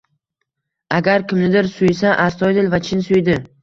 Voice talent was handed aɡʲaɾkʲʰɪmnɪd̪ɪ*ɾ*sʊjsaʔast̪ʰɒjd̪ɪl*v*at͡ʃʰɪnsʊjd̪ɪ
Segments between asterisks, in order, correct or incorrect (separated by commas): correct, correct